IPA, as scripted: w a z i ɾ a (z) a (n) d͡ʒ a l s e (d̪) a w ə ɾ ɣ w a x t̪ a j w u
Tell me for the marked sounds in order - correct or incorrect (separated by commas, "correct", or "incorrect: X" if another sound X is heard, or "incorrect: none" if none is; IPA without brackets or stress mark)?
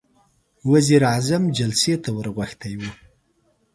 correct, incorrect: m, incorrect: t̪